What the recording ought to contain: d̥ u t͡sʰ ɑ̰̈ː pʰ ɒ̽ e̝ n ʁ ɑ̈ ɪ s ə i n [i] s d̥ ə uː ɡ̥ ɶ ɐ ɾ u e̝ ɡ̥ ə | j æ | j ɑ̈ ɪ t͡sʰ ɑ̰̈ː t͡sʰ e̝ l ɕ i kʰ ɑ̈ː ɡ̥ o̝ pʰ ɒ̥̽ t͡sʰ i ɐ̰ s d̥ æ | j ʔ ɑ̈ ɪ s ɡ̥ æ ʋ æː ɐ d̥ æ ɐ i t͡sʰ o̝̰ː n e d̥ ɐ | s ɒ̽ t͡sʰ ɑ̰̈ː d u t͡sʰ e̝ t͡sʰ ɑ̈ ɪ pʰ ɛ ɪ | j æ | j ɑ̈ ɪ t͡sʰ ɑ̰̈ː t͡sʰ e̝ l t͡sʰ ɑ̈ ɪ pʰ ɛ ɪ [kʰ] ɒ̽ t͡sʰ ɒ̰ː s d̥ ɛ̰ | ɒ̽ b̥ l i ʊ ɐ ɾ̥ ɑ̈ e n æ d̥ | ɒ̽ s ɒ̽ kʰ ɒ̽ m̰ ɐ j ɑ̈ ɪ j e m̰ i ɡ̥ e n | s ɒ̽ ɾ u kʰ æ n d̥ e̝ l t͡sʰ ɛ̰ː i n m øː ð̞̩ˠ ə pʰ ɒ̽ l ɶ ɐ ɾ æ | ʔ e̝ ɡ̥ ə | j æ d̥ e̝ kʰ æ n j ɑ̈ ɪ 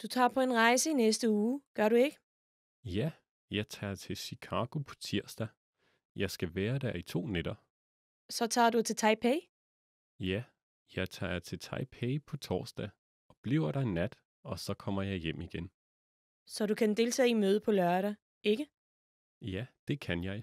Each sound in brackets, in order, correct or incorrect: incorrect, incorrect

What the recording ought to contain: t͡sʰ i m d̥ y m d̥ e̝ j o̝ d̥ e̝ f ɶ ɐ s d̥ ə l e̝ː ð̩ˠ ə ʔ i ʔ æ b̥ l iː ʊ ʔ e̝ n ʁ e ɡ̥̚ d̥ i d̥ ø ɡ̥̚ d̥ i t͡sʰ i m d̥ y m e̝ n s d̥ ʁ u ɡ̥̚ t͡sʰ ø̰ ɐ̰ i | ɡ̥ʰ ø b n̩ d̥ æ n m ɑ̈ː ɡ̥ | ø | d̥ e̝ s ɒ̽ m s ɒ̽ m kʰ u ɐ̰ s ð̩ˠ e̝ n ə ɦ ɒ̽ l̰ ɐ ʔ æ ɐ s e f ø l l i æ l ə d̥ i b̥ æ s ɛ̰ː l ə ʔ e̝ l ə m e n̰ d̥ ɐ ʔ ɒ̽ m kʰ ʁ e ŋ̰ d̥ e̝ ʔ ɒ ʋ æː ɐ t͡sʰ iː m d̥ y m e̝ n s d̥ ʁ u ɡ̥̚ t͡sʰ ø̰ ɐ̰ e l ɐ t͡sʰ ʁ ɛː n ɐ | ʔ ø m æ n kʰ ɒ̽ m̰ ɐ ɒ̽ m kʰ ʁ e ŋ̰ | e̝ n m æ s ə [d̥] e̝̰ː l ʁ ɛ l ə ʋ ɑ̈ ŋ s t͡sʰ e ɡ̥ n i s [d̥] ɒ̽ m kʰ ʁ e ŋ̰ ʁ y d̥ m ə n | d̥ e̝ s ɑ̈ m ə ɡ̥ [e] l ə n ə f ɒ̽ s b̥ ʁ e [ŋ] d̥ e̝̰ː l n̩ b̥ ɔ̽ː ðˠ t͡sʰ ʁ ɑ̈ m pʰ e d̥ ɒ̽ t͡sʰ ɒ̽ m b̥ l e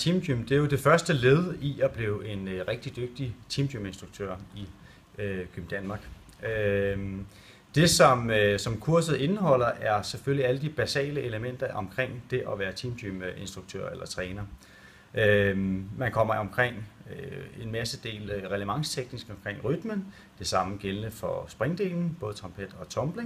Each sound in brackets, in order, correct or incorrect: correct, incorrect, correct, correct

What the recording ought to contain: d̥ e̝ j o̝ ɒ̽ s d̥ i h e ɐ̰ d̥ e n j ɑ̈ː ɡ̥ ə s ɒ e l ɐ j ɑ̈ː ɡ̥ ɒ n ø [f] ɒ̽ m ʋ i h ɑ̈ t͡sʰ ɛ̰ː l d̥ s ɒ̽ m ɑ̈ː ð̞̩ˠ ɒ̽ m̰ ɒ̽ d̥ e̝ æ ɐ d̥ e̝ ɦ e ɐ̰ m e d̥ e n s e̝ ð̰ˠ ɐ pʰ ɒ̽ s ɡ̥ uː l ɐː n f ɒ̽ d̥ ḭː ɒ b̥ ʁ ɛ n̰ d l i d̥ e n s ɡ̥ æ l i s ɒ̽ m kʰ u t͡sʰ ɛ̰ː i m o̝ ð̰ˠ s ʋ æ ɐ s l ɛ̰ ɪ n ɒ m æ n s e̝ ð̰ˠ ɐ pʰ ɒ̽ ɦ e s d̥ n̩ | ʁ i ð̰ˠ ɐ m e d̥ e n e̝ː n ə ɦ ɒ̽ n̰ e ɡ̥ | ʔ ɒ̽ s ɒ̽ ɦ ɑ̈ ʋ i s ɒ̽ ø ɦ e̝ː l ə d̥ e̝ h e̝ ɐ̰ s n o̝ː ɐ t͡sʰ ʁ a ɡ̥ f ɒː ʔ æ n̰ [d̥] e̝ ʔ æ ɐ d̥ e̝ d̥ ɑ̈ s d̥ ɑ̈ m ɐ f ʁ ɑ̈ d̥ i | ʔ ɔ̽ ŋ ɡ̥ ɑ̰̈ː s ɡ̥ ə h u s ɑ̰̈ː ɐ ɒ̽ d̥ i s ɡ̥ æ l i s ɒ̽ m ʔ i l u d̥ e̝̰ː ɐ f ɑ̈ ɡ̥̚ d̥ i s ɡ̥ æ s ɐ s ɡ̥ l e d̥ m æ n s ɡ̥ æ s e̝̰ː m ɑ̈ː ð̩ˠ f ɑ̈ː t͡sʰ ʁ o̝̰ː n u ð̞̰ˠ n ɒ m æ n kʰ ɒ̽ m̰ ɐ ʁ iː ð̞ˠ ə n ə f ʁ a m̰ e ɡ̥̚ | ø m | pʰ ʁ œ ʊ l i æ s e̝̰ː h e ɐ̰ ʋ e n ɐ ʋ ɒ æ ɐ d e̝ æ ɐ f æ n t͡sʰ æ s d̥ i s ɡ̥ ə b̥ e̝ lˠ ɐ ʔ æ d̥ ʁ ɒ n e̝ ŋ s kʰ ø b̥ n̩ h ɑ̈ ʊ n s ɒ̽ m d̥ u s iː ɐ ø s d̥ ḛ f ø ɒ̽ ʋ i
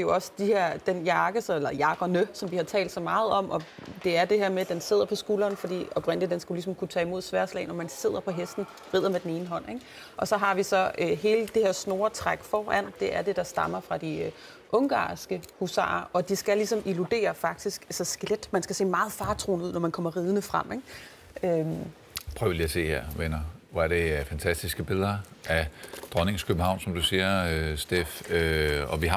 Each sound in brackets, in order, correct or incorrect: incorrect, correct

